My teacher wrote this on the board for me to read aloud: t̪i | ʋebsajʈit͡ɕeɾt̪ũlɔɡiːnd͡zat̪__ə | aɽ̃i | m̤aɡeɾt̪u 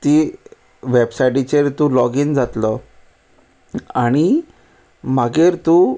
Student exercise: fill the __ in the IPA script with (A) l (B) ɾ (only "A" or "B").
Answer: A